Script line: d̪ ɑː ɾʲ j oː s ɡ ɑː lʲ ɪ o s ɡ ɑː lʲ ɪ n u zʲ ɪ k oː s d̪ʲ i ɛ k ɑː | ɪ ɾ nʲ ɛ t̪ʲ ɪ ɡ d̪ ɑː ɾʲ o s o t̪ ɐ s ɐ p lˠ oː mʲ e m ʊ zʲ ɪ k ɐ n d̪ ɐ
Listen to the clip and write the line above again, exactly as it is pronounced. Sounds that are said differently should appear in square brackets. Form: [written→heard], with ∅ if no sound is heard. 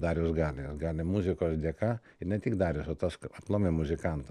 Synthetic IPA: d̪ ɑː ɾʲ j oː s ɡ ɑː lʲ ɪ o s ɡ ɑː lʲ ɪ [n→m] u zʲ ɪ k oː s d̪ʲ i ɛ k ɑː | ɪ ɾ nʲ ɛ t̪ʲ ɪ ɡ d̪ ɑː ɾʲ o s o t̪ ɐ s ɐ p lˠ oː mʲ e m ʊ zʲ ɪ k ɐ n [d̪→t̪] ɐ